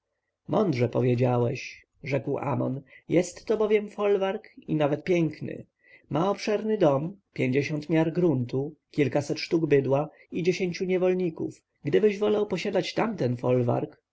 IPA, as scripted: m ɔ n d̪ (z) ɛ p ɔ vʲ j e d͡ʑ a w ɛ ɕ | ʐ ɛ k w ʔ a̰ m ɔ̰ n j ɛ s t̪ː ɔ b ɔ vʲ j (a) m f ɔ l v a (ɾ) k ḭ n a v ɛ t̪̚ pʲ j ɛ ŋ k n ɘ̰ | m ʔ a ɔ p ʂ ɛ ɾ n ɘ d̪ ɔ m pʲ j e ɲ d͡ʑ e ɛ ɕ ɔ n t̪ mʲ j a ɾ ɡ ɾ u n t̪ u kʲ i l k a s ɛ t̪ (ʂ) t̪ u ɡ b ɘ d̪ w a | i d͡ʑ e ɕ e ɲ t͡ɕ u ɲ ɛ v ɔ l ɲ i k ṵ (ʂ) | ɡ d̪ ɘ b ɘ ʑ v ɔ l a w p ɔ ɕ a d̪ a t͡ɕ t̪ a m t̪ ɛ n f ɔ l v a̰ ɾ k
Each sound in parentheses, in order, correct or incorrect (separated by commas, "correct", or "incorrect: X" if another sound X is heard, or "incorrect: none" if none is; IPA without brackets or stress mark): incorrect: ʐ, incorrect: ɛ, correct, correct, incorrect: f